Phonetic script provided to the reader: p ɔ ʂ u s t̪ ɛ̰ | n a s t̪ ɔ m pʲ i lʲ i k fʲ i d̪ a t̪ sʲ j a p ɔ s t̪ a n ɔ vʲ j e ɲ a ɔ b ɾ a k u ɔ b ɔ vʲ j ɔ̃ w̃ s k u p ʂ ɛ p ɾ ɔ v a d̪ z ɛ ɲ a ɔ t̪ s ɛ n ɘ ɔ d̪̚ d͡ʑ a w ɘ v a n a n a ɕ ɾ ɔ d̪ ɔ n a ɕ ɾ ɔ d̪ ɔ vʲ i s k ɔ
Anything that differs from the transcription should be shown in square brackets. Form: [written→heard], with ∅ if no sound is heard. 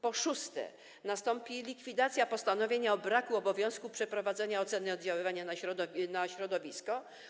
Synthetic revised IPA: p ɔ ʂ u s t̪ ɛ̰ | n a s t̪ ɔ m pʲ i lʲ i k fʲ i d̪ a t̪ sʲ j a p ɔ s t̪ a n ɔ vʲ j e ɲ a ɔ b ɾ a k u ɔ b ɔ vʲ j ɔ̃ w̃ s k u p ʂ ɛ p ɾ ɔ v a d̪ z ɛ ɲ a ɔ t̪ s ɛ n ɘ ɔ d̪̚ d͡ʑ a w ɘ v a [n→ɲ] a n a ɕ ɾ ɔ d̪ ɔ n a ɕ ɾ ɔ d̪ ɔ vʲ i s k ɔ